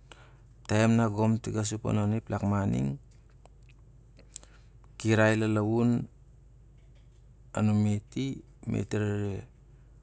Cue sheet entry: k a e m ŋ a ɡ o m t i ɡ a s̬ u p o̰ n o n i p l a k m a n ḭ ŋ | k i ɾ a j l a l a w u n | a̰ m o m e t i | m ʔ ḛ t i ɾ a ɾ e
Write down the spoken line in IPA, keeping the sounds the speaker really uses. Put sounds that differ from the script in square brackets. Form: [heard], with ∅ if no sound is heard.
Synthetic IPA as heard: [t] a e m [n] a ɡ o m t i ɡ a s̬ u p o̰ n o n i p l a k m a n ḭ ŋ | k i ɾ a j l a l a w u n | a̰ [n] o m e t i | m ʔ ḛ t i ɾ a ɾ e